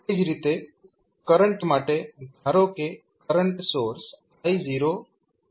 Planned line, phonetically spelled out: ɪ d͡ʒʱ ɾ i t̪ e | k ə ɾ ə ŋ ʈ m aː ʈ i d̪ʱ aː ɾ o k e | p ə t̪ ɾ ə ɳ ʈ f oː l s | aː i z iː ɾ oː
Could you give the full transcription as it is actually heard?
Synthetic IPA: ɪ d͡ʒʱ ɾ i t̪ e | k ə ɾ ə ɳ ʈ m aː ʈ e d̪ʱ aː ɾ o k e | k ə ɾ ə ɳ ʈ s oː ɾ s | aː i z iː ɾ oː